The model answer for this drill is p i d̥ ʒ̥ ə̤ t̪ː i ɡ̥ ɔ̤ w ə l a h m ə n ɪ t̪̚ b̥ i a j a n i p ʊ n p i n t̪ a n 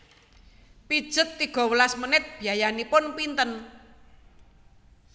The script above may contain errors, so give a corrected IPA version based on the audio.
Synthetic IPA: p i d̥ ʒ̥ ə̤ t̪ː i ɡ̥ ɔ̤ w ə l a s m ə n ɪ t̪̚ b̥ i a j a n i p ʊ n p i n t̪ ə n